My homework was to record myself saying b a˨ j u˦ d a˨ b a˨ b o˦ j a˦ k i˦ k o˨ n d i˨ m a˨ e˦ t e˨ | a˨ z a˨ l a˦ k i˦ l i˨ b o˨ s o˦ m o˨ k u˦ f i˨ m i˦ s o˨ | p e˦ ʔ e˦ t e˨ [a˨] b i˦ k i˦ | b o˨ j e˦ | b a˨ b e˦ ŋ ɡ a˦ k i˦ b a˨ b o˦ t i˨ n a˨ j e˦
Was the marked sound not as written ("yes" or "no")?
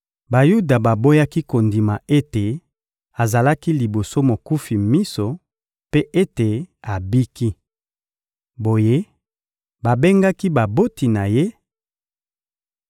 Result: no